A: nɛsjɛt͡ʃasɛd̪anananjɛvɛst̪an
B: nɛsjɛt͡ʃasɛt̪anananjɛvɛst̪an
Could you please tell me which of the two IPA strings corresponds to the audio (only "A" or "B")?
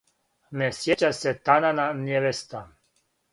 B